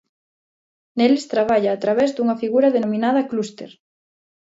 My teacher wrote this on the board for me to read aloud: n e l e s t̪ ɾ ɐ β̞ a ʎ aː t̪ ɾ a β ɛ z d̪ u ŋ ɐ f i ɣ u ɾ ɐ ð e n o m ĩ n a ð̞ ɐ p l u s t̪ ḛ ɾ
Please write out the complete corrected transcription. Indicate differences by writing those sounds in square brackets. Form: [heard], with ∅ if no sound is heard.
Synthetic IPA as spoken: n e l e s t̪ ɾ [a] β̞ a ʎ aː t̪ ɾ a β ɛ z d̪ u ŋ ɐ f i ɣ u ɾ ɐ ð e n o m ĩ n a ð̞ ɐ [k] l u s t̪ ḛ ɾ

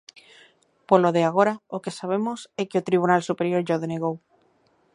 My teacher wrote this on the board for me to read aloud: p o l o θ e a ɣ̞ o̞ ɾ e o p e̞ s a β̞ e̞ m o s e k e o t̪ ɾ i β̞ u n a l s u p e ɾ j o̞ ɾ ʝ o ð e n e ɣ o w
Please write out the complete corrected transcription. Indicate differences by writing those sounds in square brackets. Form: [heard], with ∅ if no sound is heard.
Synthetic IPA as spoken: p o l o [ð] e a ɣ̞ o̞ ɾ [a] o [k] e̞ s a β̞ e̞ m o s e k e o t̪ ɾ i β̞ u n a l s u p e ɾ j o̞ ɾ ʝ o ð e n e ɣ o w

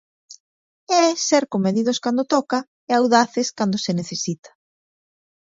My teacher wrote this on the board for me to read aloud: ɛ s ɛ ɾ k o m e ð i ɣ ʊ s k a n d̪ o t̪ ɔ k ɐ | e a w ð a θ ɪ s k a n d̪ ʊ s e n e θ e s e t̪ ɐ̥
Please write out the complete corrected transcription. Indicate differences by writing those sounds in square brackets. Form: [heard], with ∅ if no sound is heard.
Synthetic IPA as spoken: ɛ s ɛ ɾ k o m e ð i [ð] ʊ s k a n d̪ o t̪ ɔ k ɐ | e a w ð a θ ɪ s k a n d̪ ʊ s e n e θ e s [i] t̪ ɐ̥

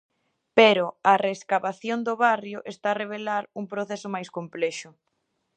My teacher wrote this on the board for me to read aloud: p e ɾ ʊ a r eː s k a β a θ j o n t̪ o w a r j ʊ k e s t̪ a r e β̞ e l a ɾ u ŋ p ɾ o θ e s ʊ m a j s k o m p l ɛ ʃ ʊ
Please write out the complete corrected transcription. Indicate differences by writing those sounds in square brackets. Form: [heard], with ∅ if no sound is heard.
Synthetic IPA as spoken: p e ɾ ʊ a r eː s k a β a θ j o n [d̪] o [β] a r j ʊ [ʔ] e s t̪ a r e β̞ e l a ɾ u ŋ p ɾ o θ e s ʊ m a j s k o m p l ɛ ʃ ʊ

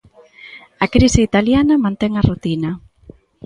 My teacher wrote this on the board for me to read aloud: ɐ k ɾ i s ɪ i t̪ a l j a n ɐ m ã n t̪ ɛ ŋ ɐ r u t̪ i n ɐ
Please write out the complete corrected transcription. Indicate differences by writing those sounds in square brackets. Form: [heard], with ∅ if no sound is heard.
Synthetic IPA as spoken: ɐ k ɾ i s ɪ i t̪ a l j a n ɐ m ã n t̪ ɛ ŋ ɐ r u t̪ i n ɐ

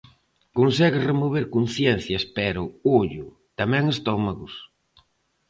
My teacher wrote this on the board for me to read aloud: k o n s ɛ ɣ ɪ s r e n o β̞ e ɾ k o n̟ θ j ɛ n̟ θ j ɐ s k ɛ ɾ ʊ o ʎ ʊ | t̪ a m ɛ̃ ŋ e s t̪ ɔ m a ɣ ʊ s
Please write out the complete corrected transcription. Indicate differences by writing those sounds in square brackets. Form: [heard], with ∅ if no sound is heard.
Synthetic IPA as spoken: k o n s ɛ ɣ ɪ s r e [m] o β̞ e ɾ k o n̟ θ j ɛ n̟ θ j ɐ s [p] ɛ ɾ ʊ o ʎ ʊ | t̪ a m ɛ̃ ŋ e s t̪ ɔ m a ɣ ʊ s

